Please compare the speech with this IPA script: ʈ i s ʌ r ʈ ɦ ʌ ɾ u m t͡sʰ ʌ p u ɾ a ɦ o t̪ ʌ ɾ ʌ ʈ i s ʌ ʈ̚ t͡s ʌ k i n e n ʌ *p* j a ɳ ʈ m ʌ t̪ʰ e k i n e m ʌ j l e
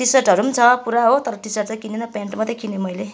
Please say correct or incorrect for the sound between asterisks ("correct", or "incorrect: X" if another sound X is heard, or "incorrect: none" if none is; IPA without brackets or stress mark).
correct